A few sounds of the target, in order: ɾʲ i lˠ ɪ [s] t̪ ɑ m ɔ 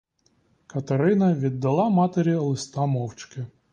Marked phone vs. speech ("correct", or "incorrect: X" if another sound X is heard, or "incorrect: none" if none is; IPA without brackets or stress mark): correct